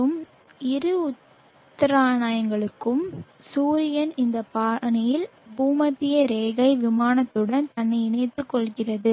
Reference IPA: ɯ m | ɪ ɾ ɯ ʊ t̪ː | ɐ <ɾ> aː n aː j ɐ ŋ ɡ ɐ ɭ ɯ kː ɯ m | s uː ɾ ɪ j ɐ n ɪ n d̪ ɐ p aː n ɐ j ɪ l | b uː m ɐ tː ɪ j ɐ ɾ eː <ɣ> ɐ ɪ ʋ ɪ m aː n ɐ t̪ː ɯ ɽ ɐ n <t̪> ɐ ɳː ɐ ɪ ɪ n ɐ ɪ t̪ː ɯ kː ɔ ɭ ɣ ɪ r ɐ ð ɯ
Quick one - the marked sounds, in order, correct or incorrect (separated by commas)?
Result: correct, correct, correct